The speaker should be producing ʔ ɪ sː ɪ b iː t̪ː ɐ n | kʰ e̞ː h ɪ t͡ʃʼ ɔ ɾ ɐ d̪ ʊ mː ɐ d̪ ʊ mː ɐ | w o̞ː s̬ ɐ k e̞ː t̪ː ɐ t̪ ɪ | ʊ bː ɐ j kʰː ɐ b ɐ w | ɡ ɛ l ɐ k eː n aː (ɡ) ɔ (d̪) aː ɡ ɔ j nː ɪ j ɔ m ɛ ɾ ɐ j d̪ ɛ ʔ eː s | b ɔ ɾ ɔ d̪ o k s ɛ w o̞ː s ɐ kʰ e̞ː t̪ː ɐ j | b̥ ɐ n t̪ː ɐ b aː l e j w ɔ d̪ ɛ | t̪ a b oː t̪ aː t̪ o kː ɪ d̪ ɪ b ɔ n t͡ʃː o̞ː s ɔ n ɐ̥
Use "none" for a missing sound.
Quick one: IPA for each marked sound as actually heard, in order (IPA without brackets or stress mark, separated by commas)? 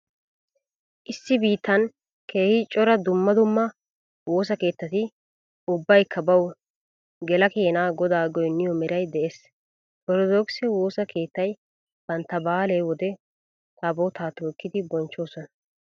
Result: ɡ, d̪